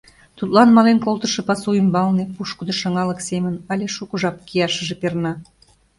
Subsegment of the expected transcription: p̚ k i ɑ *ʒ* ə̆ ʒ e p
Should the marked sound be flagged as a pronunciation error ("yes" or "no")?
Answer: yes